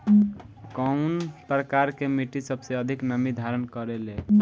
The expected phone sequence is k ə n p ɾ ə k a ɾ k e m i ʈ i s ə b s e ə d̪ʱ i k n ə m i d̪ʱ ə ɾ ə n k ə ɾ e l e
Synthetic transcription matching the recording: k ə n p ɾ ə k a ɾ k e m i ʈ i s ə b s e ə d̪ʱ i k n ə m i d̪ʱ a ɾ ə n k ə ɾ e l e